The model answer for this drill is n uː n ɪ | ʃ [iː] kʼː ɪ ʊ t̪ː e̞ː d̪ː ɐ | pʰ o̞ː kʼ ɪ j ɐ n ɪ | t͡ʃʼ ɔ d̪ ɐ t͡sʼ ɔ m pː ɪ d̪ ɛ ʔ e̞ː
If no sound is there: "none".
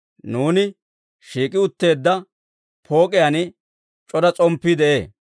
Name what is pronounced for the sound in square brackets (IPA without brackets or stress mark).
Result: iː